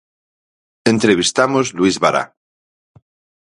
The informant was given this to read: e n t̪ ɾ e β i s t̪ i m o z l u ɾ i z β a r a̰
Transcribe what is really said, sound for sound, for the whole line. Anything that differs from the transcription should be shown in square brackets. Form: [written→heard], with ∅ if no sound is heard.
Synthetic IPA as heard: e n t̪ ɾ e β i s t̪ [i→a] m o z l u [ɾ→∅] i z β a [r→ɾ] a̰